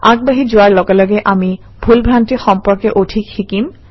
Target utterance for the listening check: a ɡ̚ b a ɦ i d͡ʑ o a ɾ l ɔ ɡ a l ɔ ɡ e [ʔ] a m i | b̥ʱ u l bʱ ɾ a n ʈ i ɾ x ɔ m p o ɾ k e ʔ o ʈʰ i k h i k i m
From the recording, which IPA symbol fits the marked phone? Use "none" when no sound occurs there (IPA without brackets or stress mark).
ʔ